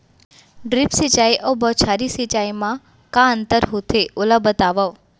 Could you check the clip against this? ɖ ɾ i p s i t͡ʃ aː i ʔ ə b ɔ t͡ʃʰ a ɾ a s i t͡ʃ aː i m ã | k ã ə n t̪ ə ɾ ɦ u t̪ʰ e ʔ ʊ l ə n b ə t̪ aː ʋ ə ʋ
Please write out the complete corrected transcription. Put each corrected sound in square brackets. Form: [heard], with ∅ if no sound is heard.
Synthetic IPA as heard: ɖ ɾ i p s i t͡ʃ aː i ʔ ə b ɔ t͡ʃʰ a ɾ [i] s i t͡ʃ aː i m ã | k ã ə n t̪ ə ɾ ɦ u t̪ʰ e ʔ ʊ l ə [∅] b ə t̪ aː ʋ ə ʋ